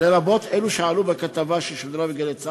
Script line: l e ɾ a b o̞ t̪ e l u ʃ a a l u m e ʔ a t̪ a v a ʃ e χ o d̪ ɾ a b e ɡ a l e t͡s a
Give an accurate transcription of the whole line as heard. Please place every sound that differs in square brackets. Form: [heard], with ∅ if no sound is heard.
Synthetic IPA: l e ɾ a b o̞ t̪ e l u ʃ [e] a l u [b] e [k] a t̪ a v a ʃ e [ʃ] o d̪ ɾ a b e ɡ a l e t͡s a